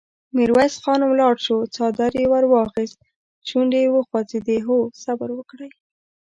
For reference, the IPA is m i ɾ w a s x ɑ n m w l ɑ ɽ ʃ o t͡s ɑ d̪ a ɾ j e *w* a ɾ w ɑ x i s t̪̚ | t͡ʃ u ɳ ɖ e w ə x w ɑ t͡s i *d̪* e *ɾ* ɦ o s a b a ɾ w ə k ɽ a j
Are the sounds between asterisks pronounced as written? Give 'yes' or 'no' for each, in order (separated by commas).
yes, yes, no